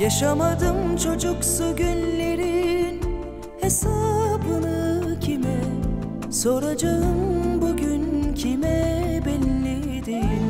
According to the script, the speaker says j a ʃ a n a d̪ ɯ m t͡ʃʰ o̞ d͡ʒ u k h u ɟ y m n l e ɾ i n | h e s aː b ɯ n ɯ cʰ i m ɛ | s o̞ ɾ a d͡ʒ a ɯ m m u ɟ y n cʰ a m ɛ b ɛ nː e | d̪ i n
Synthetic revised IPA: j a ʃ a m a d̪ ɯ m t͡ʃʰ o̞ d͡ʒ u k s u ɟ y n l e ɾ i n | h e s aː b ɯ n ɯ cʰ i m ɛ | s o̞ ɾ a d͡ʒ a ɯ m b u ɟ y n cʰ i m ɛ b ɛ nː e | d̪ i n